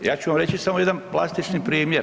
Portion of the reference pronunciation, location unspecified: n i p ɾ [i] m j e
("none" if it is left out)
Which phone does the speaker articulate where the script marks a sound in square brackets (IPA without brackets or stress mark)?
iː